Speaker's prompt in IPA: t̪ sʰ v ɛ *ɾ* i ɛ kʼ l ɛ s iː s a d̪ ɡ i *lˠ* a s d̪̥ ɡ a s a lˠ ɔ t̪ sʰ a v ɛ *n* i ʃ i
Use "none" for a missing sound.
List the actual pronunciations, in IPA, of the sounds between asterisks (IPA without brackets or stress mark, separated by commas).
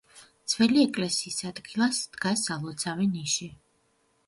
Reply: l, lˠ, n